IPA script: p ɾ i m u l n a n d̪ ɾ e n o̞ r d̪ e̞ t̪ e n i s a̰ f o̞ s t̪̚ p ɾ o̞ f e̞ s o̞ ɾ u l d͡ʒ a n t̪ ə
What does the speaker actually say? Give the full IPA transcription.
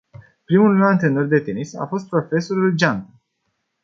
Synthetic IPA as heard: p ɾ i m u l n a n t̪ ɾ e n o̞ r d̪ e̞ t̪ e n i s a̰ f o̞ s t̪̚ p ɾ o̞ f e̞ s o̞ ɾ u l d͡ʒ a n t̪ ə